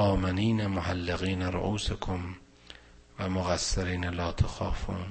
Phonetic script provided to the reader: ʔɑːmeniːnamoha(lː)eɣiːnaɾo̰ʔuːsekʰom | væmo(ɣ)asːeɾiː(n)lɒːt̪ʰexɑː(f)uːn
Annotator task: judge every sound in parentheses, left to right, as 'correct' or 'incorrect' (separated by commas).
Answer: correct, correct, correct, correct